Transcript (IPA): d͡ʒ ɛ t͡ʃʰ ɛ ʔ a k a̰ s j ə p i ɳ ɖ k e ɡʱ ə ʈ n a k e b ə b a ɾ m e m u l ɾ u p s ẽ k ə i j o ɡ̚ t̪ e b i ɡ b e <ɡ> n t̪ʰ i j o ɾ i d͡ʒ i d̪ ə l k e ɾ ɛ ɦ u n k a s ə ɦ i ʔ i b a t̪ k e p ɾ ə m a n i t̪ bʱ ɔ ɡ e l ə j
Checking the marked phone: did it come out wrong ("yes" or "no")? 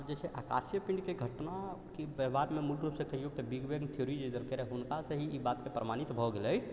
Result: no